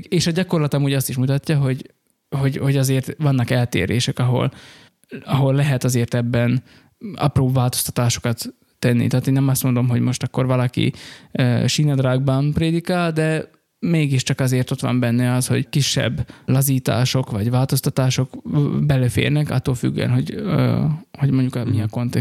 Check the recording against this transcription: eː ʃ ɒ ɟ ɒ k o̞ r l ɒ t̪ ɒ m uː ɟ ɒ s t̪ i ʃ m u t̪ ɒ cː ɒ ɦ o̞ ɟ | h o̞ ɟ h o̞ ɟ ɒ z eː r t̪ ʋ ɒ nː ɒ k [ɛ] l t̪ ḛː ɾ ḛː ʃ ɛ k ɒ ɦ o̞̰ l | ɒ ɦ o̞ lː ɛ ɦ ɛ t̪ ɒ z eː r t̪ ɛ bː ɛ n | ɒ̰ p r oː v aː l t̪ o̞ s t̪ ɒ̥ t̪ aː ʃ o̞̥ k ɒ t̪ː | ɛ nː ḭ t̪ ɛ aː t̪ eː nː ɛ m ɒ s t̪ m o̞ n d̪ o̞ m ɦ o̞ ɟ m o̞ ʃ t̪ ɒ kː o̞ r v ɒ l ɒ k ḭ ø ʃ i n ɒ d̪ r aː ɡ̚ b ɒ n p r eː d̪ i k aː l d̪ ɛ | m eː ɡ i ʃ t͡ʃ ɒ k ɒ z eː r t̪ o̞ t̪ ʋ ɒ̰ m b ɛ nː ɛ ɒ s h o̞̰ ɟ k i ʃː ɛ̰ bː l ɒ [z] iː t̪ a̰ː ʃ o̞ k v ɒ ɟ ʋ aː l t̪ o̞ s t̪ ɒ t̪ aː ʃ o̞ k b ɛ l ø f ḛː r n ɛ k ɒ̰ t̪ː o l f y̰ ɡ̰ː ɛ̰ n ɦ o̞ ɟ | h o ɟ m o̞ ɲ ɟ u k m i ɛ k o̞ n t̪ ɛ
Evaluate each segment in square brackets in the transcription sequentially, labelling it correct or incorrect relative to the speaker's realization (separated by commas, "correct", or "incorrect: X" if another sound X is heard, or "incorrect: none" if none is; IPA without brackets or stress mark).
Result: correct, correct